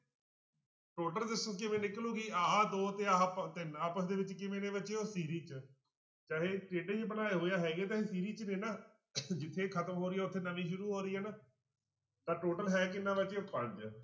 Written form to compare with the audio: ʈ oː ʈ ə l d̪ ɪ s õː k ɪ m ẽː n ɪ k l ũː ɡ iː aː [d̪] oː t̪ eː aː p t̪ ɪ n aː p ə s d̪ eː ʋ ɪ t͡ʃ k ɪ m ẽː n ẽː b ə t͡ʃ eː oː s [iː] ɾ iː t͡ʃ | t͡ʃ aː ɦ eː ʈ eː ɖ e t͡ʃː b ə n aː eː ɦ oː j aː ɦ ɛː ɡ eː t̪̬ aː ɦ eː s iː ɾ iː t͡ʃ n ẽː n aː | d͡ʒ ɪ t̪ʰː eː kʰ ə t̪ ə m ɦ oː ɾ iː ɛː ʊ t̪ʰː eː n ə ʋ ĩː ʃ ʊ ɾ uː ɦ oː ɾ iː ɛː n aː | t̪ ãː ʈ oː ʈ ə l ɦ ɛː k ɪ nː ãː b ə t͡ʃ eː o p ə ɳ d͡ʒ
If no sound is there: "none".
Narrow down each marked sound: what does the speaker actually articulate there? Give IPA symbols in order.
d̪, iː

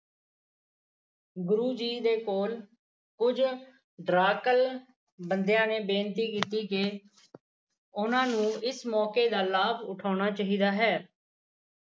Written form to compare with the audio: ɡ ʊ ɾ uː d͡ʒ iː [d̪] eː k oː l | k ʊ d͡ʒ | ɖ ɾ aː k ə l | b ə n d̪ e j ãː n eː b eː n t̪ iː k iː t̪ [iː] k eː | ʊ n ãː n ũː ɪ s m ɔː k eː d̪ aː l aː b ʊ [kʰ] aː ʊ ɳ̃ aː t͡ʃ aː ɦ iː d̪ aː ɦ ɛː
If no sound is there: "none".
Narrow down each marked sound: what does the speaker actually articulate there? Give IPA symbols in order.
d̪, iː, ʈʰ

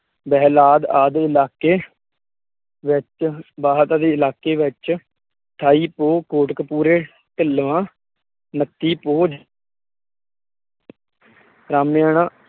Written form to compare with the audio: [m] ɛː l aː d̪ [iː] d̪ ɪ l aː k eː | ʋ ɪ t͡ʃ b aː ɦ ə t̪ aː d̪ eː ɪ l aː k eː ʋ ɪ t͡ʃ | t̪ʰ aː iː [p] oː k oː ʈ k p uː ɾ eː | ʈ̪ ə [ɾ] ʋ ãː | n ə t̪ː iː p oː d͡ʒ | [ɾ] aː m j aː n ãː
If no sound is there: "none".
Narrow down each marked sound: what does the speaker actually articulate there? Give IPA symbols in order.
b, aː, p, l, ɾ

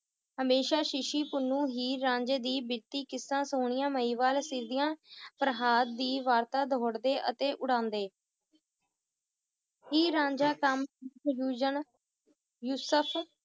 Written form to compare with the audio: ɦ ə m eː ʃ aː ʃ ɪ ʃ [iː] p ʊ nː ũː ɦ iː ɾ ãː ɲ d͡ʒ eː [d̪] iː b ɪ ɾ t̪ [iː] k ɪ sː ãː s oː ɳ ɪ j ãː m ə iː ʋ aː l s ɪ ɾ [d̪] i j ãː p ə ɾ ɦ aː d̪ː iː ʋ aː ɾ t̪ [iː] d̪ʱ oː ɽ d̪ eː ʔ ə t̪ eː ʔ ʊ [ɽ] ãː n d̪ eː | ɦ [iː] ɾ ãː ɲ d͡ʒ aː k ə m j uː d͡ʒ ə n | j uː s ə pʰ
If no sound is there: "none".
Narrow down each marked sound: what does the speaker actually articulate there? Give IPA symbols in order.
iː, d̪, iː, d̪, aː, ɽ, iː

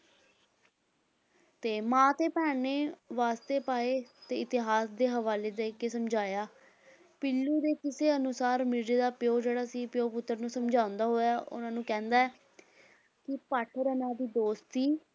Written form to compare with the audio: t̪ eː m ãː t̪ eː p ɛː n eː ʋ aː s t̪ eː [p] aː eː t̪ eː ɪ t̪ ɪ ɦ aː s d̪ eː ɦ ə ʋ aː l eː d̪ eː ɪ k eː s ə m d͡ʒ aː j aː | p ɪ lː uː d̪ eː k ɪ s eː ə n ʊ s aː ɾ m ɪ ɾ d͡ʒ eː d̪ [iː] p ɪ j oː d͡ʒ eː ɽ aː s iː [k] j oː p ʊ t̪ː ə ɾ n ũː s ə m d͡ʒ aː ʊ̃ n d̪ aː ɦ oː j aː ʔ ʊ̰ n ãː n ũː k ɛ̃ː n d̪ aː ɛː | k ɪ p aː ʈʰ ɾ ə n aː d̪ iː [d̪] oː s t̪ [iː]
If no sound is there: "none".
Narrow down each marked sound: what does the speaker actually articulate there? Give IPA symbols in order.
p, aː, p, d̪, iː

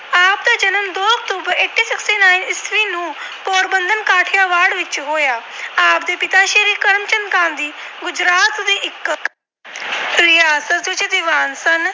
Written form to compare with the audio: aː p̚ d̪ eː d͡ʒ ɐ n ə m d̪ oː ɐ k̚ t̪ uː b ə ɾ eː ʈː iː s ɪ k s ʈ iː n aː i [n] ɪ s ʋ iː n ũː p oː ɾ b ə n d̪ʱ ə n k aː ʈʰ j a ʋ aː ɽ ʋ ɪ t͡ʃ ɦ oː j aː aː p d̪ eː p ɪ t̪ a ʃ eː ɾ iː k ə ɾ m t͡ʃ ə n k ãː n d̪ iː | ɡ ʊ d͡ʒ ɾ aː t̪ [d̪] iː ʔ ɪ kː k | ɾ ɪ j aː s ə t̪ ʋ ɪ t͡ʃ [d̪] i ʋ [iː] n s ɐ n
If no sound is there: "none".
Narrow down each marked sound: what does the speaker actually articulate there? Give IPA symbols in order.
n, d̪, d̪, aː

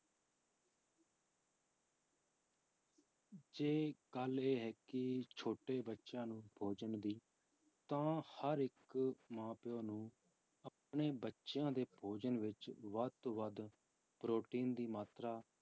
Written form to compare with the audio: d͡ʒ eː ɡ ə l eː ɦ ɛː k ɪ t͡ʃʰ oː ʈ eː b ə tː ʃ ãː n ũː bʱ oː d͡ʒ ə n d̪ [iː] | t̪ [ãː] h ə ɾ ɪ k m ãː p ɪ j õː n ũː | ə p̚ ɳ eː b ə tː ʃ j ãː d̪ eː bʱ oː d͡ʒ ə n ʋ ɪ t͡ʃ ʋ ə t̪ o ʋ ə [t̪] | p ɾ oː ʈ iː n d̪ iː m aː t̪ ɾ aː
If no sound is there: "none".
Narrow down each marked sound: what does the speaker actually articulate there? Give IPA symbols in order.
iː, ãː, d̪

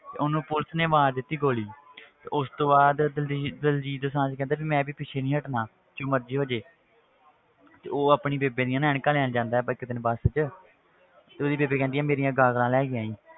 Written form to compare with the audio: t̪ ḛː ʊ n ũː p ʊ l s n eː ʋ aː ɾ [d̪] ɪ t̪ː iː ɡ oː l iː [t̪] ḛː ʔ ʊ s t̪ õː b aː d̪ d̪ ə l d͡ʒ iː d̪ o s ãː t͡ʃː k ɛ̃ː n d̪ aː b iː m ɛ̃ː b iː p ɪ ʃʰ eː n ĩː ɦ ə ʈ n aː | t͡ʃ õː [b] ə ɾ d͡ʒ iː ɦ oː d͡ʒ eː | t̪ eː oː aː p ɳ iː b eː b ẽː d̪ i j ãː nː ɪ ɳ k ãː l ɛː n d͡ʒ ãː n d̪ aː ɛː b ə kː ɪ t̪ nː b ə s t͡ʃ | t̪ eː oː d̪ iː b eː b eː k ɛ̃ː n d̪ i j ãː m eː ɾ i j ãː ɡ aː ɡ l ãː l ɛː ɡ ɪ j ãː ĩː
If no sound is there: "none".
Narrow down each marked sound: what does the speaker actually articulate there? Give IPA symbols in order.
d̪, t̪, m

